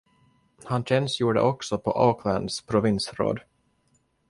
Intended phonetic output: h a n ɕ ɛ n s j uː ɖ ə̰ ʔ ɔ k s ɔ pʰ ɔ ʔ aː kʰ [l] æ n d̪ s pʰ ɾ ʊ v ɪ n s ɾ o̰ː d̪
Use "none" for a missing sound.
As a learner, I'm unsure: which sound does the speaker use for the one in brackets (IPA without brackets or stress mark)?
l